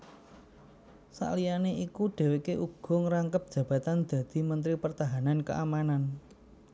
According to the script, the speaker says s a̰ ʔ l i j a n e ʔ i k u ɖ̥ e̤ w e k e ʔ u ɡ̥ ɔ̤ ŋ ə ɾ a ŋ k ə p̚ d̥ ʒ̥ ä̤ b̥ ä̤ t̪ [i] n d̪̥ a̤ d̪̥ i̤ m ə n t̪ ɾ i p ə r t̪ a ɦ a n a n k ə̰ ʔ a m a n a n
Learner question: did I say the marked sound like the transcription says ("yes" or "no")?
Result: no